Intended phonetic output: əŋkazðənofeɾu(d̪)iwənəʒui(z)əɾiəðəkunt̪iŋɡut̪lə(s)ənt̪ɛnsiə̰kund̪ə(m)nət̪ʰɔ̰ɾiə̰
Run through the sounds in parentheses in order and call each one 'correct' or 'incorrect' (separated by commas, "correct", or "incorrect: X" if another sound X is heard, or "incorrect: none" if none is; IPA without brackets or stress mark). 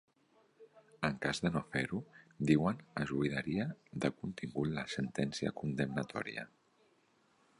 correct, incorrect: ð, correct, correct